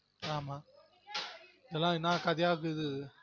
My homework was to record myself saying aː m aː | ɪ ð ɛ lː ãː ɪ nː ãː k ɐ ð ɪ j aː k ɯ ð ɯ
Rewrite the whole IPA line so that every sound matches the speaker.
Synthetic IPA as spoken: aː m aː | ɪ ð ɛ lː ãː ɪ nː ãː k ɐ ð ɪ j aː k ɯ ð ɯ